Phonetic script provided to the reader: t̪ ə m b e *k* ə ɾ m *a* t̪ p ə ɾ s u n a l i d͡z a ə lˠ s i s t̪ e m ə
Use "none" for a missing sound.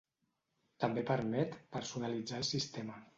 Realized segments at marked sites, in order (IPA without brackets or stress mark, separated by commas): p, ɛ